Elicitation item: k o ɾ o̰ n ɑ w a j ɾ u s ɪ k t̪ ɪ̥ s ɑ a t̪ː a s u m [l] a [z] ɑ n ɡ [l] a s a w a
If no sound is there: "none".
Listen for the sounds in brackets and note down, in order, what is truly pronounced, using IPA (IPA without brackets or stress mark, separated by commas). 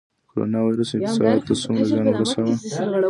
ɾ, z, ɾ